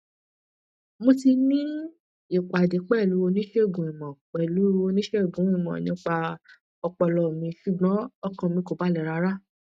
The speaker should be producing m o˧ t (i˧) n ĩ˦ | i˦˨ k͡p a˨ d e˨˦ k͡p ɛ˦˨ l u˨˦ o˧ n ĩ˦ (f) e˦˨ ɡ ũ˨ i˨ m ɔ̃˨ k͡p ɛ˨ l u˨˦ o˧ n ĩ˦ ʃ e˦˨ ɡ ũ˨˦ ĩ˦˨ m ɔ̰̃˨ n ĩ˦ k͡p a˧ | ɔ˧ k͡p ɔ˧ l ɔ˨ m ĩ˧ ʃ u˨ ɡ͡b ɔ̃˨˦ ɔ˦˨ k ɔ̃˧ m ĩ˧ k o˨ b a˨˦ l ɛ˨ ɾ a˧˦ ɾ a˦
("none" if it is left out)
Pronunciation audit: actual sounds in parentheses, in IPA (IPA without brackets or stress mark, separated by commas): i˧, ʃ